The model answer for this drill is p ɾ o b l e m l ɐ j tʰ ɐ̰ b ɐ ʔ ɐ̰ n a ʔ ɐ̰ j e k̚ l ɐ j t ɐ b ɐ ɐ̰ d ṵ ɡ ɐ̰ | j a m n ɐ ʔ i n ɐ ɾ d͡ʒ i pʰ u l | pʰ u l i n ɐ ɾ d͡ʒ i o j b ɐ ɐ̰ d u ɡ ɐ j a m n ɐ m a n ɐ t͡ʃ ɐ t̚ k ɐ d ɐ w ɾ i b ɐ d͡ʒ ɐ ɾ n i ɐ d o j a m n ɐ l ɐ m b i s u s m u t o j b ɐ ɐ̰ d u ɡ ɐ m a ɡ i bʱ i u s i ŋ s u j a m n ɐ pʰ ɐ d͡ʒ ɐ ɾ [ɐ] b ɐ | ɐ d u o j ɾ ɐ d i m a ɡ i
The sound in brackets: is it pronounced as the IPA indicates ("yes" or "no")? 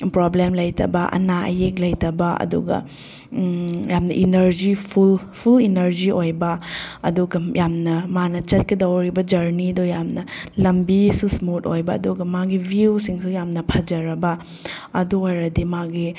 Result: yes